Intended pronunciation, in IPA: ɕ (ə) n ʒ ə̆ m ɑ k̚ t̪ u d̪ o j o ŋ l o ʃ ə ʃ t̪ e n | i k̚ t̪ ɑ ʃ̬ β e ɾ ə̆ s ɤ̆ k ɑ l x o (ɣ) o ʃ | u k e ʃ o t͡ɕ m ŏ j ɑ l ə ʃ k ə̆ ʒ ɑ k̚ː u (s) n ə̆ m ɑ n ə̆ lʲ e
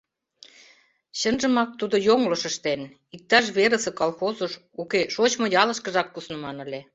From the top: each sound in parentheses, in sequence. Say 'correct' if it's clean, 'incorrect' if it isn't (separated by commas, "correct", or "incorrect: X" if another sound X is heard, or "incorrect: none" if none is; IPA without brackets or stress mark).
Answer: correct, incorrect: z, correct